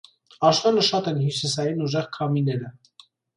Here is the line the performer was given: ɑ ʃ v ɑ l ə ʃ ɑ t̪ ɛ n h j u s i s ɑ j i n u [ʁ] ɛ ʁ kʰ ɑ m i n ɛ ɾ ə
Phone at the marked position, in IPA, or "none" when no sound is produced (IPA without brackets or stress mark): ʒ